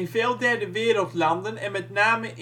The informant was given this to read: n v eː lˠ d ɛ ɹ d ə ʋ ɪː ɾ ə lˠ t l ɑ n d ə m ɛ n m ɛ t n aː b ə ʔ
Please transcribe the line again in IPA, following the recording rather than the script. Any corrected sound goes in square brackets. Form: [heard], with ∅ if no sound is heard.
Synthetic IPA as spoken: n v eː lˠ d ɛ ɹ d ə ʋ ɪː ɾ ə lˠ t l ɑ n d ə [n] ɛ n m ɛ t n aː [m] ə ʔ